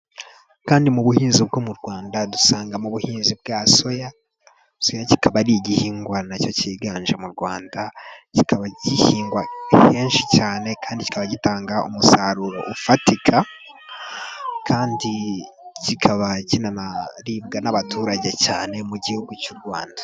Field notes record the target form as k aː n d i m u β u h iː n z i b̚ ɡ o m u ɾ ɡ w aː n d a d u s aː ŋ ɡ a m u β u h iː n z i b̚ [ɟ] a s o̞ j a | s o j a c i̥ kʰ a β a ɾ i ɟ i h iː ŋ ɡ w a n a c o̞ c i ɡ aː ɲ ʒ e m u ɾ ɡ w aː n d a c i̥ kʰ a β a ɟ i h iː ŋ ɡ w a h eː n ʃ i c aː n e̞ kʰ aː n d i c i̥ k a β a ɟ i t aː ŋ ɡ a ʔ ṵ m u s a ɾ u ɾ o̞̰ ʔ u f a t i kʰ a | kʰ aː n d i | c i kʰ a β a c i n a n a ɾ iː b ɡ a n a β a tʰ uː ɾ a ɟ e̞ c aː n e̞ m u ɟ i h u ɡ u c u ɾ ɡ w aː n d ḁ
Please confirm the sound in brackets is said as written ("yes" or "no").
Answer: no